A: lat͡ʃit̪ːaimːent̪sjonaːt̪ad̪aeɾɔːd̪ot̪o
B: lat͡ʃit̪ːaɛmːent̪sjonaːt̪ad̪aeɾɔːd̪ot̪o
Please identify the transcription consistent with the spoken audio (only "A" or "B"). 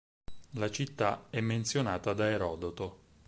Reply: B